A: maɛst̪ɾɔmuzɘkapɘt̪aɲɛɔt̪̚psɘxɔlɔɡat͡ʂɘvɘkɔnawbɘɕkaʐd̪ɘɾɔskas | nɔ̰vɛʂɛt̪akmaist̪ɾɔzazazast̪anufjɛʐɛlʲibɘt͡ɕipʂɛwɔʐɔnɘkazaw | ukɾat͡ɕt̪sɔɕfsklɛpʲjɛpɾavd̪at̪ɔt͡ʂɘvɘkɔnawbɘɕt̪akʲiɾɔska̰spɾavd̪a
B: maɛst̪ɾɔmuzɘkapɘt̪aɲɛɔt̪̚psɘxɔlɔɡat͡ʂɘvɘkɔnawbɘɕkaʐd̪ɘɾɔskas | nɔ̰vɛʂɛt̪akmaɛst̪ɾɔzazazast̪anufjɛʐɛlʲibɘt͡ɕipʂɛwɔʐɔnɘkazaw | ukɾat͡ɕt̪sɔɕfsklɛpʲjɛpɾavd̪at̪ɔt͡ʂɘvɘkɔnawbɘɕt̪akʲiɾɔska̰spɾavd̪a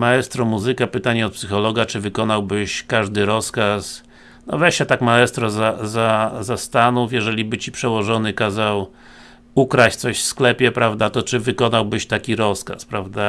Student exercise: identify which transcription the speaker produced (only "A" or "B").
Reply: B